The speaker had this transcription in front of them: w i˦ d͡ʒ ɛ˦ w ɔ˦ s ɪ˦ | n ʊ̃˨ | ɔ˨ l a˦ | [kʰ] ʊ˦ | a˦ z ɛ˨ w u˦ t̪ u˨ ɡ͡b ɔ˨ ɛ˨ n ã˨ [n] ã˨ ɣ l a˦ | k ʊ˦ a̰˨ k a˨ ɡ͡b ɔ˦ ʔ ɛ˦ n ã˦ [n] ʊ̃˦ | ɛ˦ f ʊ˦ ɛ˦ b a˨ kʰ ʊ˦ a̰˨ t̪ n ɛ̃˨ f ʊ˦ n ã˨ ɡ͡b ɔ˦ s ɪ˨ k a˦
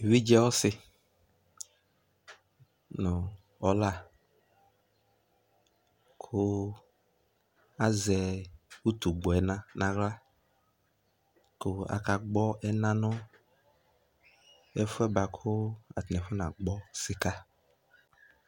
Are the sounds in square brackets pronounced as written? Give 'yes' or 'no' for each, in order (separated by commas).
yes, yes, yes